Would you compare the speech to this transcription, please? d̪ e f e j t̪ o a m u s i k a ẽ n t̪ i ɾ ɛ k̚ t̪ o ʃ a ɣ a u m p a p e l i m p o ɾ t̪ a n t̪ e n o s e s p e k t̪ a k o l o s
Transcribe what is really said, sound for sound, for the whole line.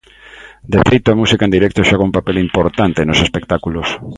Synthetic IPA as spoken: d̪ e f e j t̪ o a m u s i k a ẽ n d̪ i ɾ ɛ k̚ t̪ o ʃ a ɣ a u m p a p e l i m p o ɾ t̪ a n t̪ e n o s e s p e k t̪ a k u l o s